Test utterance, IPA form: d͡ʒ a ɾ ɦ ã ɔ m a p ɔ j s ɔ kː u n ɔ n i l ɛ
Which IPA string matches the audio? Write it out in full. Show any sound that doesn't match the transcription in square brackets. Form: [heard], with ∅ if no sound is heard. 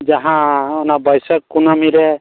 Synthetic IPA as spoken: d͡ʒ a [∅] ɦ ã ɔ [n] a [b] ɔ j s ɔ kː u n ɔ [m] i [ɾ] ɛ